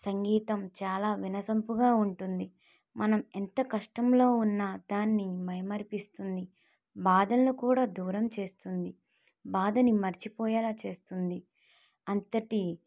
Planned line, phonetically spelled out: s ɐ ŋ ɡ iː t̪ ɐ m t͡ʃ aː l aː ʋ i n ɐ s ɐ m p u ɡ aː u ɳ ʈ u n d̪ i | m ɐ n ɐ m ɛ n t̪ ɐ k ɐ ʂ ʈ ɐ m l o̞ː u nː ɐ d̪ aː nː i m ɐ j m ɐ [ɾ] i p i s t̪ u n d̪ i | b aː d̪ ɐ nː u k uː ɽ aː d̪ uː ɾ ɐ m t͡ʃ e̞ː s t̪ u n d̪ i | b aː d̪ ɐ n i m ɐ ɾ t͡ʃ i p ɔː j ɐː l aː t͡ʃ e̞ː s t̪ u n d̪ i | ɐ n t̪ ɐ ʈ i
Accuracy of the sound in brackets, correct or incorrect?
correct